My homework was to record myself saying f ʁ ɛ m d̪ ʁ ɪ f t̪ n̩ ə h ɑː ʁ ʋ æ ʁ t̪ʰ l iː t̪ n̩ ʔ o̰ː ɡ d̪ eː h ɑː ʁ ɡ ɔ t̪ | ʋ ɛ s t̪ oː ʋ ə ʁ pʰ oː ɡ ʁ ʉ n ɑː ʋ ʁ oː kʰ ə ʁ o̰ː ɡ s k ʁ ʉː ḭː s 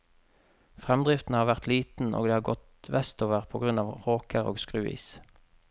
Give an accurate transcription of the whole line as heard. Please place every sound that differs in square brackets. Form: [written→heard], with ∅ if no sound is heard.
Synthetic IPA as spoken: f ʁ ɛ m d̪ ʁ ɪ f t̪ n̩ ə h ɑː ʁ ʋ æ ʁ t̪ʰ l iː t̪ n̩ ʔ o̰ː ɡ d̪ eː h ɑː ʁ ɡ ɔ t̪ | ʋ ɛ s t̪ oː ʋ ə ʁ pʰ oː ɡ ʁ ʉ n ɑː ʋ ʁ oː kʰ ə ʁ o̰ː ɡ s k ʁ ʉː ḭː s